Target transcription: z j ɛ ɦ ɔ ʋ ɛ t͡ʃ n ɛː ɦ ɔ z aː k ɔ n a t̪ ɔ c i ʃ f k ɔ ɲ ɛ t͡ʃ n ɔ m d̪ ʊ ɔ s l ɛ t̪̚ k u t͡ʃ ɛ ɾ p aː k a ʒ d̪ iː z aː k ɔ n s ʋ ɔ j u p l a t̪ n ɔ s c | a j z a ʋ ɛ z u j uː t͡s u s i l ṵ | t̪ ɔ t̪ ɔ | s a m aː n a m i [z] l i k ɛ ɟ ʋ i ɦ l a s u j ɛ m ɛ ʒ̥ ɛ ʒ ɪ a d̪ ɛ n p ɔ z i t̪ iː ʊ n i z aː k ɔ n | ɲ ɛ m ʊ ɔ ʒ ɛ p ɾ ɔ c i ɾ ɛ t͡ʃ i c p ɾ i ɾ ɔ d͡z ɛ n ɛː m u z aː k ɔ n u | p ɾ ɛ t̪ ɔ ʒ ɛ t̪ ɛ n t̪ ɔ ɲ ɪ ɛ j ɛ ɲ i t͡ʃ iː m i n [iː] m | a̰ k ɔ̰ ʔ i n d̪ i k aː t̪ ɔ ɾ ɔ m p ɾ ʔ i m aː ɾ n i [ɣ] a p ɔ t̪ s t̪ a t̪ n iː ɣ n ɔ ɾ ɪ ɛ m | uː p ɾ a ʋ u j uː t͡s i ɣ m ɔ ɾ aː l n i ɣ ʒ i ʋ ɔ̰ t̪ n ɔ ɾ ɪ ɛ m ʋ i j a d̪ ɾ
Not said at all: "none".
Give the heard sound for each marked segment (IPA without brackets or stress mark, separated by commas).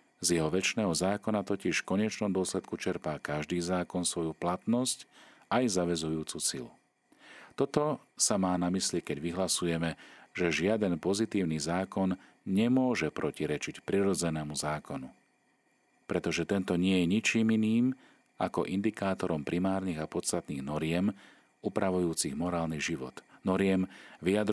s, iː, ɣ